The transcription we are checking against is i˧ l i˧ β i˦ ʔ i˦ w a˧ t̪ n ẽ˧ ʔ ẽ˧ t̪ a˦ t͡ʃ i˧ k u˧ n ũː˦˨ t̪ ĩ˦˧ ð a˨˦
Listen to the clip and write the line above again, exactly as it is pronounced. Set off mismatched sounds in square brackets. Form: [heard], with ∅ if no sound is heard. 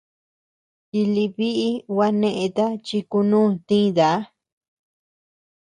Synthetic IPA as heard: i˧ l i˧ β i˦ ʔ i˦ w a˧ [∅] n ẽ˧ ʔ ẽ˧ t̪ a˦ t͡ʃ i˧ k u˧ n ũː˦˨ t̪ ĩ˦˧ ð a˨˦